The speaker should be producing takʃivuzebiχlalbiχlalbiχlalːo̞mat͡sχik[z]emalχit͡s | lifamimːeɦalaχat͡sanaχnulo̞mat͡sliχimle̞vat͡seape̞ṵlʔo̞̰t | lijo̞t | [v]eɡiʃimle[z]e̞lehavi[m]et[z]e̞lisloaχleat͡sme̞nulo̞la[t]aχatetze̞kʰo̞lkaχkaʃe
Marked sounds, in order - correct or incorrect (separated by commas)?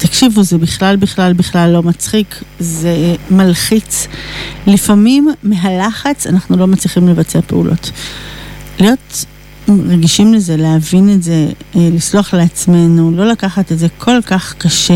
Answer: correct, incorrect, correct, incorrect, correct, incorrect